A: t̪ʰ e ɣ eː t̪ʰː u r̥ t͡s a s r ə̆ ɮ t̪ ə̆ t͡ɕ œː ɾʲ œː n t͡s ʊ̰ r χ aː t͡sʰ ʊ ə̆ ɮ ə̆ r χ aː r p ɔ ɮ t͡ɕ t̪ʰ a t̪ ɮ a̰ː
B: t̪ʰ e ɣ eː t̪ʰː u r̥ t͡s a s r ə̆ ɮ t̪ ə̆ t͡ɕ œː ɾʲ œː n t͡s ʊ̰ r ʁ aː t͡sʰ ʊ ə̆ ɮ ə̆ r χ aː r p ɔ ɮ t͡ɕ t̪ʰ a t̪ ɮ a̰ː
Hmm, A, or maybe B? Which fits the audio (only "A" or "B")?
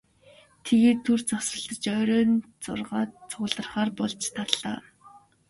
B